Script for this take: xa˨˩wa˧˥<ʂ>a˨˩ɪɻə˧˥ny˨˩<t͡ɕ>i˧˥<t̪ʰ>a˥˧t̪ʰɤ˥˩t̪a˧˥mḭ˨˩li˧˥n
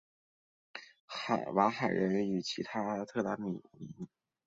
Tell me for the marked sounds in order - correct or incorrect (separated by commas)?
incorrect, incorrect, correct